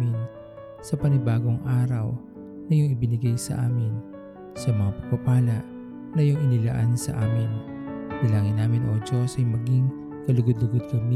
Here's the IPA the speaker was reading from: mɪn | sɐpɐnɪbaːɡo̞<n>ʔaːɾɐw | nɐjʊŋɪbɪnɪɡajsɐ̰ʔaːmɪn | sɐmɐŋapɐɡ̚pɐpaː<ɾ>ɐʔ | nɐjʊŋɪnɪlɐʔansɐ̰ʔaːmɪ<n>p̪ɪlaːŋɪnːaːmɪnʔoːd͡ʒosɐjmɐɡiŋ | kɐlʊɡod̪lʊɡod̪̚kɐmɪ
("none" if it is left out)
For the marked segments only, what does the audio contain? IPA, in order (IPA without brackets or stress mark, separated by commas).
ŋ, l, n